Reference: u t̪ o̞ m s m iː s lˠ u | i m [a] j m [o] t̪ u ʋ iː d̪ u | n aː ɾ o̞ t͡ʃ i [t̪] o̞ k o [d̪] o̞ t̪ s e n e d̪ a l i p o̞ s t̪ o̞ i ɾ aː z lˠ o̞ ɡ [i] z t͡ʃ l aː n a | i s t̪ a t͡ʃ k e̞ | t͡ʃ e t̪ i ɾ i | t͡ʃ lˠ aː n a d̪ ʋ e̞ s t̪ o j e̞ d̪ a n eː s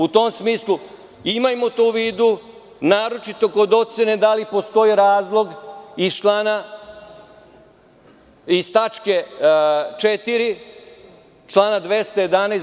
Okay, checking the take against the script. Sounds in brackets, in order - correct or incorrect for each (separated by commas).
correct, correct, correct, correct, correct